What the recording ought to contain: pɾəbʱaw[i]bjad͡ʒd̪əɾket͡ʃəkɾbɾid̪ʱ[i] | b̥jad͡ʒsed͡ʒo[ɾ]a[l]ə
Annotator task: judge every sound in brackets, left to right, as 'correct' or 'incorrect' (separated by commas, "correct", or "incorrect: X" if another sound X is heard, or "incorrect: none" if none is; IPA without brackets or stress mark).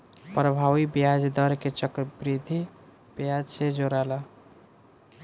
correct, correct, correct, correct